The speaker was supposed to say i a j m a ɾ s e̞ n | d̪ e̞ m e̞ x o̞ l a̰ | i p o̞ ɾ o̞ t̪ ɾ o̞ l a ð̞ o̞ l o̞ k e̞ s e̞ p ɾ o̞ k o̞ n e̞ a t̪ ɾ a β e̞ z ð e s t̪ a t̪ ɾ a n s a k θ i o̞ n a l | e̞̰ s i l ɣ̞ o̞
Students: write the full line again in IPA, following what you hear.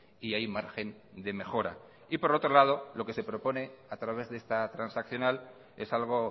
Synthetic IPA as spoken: i a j m a ɾ x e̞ n | d̪ e̞ m e̞ x o̞ ɾ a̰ | i p o̞ ɾ o̞ t̪ ɾ o̞ l a ð̞ o̞ l o̞ k e̞ s e̞ p ɾ o̞ p o̞ n e̞ a t̪ ɾ a β e̞ z ð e s t̪ a t̪ ɾ a n s a k θ j o̞ n a l | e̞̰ s a l ɣ̞ o̞